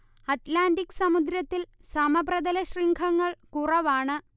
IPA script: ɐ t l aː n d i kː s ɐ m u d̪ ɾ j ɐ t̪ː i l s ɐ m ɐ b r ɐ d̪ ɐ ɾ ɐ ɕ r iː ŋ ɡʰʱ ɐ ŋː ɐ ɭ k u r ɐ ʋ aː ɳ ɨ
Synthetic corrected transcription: ɐ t l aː n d i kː s ɐ m u d̪ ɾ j ɐ t̪ː i l s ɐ m ɐ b r ɐ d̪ ɐ l ɐ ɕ r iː ŋ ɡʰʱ ɐ ŋː ɐ ɭ k u r ɐ ʋ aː ɳ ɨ

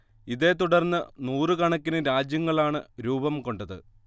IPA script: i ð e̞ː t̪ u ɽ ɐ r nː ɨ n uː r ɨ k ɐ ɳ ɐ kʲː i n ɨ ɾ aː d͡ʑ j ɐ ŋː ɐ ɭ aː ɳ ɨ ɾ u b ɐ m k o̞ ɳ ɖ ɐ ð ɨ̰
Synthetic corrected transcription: i ð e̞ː t̪ u ɽ ɐ r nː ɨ n uː r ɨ k ɐ ɳ ɐ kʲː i n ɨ ɾ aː d͡ʑ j ɐ ŋː ɐ ɭ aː ɳ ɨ ɾ uː b ɐ m k o̞ ɳ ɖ ɐ ð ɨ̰

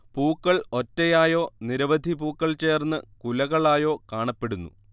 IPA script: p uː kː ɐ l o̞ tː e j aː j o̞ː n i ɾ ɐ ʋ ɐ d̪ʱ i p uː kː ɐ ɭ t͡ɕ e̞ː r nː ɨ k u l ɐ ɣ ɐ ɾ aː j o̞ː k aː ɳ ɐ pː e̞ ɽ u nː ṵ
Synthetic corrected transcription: p uː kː ɐ ɭ o̞ tː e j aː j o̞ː n i ɾ ɐ ʋ ɐ d̪ʱ i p uː kː ɐ ɭ t͡ɕ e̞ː r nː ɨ k u l ɐ ɣ ɐ ɭ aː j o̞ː k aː ɳ ɐ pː e̞ ɽ u nː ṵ

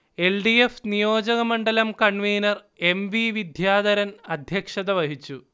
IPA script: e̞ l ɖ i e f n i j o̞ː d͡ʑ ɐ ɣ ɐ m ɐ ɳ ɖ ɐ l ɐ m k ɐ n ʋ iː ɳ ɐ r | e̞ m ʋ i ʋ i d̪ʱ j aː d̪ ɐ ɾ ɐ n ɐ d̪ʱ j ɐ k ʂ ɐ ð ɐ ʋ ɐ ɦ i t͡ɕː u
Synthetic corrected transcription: e̞ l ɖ i e f n i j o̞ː d͡ʑ ɐ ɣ ɐ m ɐ ɳ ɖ ɐ l ɐ m k ɐ ɳ ʋ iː n ɐ r | e̞ m ʋ i ʋ i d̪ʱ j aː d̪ ɐ ɾ ɐ n ɐ d̪ʱ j ɐ k ʂ ɐ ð ɐ ʋ ɐ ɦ i t͡ɕː u

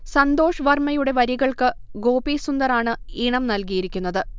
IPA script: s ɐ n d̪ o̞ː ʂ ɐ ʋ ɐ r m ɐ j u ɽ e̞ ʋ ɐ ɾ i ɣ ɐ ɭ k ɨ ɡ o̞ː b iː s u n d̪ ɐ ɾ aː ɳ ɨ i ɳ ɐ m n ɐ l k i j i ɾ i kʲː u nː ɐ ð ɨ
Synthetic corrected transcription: s ɐ n d̪ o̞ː ʂ ɐ ʋ ɐ r m ɐ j u ɽ e̞ ʋ ɐ ɾ i ɣ ɐ ɭ k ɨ ɡ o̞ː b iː s u n d̪ ɐ ɾ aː ɳ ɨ i ɳ ɐ m n ɐ l k i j i ɾ i kʲː u nː ɐ ð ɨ

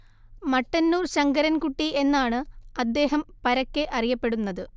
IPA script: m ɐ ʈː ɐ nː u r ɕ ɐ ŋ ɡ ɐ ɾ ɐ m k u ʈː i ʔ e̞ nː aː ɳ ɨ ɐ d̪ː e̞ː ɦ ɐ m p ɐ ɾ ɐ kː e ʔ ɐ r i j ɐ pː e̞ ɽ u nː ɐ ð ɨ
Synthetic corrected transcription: m ɐ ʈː ɐ nː uː r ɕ ɐ ŋ ɡ ɐ ɾ ɐ n k u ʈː i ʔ e̞ nː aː ɳ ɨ ɐ d̪ː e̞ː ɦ ɐ m p ɐ ɾ ɐ kː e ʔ ɐ r i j ɐ pː e̞ ɽ u nː ɐ ð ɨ

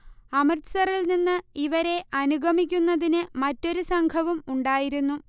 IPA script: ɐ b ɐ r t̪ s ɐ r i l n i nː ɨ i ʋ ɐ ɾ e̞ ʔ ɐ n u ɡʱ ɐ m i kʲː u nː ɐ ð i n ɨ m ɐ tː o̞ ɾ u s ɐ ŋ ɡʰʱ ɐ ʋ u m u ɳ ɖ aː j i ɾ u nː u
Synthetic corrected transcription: ɐ m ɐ r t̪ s ɐ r i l n i nː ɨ i ʋ ɐ ɾ e̞ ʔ ɐ n u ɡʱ ɐ m i kʲː u nː ɐ ð i n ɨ m ɐ tː o̞ ɾ u s ɐ ŋ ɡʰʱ ɐ ʋ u m u ɳ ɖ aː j i ɾ u nː u

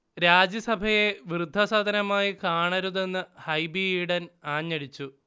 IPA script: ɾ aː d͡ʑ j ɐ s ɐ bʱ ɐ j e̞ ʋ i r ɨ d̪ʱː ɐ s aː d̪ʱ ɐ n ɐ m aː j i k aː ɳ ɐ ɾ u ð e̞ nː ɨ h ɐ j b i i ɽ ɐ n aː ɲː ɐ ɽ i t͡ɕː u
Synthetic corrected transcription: ɾ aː d͡ʑ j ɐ s ɐ bʱ ɐ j e̞ ʋ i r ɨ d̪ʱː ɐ s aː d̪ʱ ɐ n ɐ m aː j i k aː ɳ ɐ ɾ u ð e̞ nː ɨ h ɐ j b i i ɽ ɐ n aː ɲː ɐ ɽ i t͡ɕː u

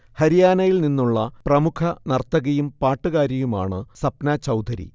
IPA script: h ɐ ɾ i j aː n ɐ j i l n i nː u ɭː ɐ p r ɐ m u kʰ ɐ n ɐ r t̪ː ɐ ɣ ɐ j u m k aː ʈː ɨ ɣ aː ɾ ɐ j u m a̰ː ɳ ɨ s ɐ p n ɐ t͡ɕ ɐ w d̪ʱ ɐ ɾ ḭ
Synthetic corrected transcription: h ɐ ɾ i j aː n ɐ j i l n i nː u ɭː ɐ p r ɐ m u kʰ ɐ n ɐ r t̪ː ɐ ɣ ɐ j u m p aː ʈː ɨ ɣ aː ɾ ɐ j u m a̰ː ɳ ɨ s ɐ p n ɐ t͡ɕ ɐ w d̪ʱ ɐ ɾ ḭ

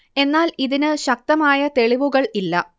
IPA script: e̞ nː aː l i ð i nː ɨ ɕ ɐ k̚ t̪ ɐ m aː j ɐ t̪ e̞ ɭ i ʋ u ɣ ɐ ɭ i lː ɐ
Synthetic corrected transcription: e̞ nː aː l i ð i n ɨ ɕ ɐ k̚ t̪ ɐ m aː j ɐ t̪ e̞ ɭ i ʋ u ɣ ɐ ɭ i lː ɐ

